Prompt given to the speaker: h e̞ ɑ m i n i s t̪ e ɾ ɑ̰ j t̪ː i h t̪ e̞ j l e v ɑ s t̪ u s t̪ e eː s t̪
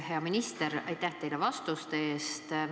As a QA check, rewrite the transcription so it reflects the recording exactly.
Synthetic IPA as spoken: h e̞ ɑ m i n i s t̪ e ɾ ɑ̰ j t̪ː æ h t̪ e̞ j l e v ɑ s t̪ u s t̪ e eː s t̪